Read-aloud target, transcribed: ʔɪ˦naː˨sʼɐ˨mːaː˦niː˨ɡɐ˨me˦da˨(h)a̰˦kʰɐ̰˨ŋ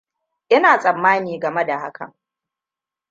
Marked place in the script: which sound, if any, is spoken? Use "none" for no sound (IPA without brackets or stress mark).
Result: h